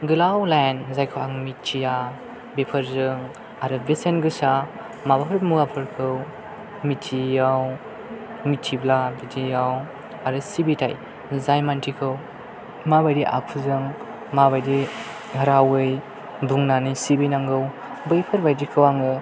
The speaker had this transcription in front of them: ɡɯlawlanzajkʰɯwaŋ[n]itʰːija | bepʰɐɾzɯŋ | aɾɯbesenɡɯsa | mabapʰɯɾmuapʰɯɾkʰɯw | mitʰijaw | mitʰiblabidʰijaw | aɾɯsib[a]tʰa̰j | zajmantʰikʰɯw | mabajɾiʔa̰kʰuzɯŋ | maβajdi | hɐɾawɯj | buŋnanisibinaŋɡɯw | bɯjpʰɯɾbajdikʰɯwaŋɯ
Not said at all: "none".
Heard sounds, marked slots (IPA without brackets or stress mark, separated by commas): m, i